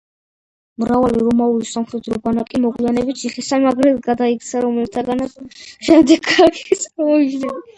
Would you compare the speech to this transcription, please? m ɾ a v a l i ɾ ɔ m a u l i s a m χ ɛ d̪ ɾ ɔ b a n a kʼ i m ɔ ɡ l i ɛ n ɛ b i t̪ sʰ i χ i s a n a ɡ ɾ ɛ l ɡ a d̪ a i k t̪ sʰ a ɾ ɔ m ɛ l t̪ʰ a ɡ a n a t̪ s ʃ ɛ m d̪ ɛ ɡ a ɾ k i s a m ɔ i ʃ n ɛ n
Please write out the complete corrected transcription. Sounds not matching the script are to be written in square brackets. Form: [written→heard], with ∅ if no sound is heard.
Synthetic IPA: m ɾ a v a l i ɾ ɔ m a u l i s a m χ ɛ d̪ ɾ ɔ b a n a kʼ i m ɔ ɡ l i [ɛ→a] n ɛ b i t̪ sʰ i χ i s a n a ɡ ɾ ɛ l ɡ a d̪ a i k t̪ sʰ a ɾ ɔ m ɛ l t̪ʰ a ɡ a n a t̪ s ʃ ɛ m d̪ ɛ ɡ a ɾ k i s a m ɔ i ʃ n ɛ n